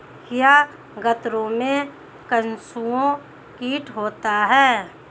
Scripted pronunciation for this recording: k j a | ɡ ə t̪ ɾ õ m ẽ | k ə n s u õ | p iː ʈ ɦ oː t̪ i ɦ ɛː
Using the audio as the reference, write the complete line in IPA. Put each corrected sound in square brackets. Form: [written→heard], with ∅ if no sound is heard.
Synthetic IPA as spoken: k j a | ɡ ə t̪ ɾ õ m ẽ | k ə n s u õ | [p→k] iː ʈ ɦ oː t̪ [i→a] ɦ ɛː

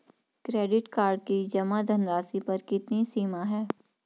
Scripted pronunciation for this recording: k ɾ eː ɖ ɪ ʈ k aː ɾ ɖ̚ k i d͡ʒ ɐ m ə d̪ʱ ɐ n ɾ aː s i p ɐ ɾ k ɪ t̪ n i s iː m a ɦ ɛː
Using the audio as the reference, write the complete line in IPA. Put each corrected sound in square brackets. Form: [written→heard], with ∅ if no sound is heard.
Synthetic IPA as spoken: k ɾ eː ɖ ɪ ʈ k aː ɾ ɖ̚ k i d͡ʒ ɐ m [ə→a] d̪ʱ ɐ n ɾ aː s i p ɐ ɾ k ɪ t̪ n i s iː m a ɦ ɛː

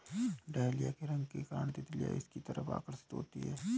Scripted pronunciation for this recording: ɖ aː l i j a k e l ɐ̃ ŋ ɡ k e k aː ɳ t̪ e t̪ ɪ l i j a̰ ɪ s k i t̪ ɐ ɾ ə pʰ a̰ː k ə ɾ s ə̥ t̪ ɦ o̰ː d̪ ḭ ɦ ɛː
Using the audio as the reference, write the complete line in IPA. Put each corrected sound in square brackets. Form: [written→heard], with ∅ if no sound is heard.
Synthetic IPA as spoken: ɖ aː l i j a k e [l→ɾ] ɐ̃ ŋ ɡ k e k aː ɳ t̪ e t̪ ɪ l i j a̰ ɪ s k i t̪ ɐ ɾ ə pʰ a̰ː k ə ɾ s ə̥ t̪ ɦ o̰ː [d̪→t̪] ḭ ɦ ɛː

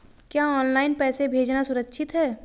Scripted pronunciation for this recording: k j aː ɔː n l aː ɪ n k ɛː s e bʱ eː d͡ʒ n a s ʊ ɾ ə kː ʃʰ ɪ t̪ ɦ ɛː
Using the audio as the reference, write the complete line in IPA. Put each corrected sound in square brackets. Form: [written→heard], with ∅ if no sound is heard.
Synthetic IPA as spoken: k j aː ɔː n l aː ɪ n [k→p] ɛː s e bʱ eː d͡ʒ n a s ʊ ɾ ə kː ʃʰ ɪ t̪ ɦ ɛː

